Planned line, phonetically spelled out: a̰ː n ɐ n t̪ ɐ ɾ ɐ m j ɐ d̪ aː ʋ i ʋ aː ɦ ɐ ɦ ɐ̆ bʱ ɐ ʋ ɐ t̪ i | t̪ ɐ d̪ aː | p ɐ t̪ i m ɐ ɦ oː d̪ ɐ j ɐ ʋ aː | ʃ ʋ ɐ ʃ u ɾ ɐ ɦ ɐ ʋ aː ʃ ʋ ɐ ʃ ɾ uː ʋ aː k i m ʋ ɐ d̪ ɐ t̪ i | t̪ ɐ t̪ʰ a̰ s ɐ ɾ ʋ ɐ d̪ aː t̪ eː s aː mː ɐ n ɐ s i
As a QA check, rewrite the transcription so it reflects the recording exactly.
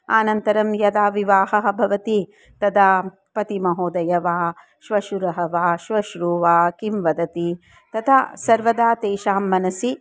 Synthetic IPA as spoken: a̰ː n ɐ n t̪ ɐ ɾ ɐ m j ɐ d̪ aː ʋ i ʋ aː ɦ ɐ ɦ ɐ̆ bʱ ɐ ʋ ɐ t̪ i | t̪ ɐ d̪ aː | p ɐ t̪ i m ɐ ɦ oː d̪ ɐ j ɐ ʋ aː | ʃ ʋ ɐ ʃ u ɾ ɐ ɦ ɐ ʋ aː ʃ ʋ ɐ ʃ ɾ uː ʋ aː k i m ʋ ɐ d̪ ɐ t̪ i | t̪ ɐ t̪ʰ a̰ s ɐ ɾ ʋ ɐ d̪ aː t̪ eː ʃ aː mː ɐ n ɐ s i